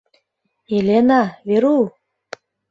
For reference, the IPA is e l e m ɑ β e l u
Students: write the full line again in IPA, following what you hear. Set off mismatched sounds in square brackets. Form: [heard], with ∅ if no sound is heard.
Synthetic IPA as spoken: e l e [n] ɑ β e [ɾ] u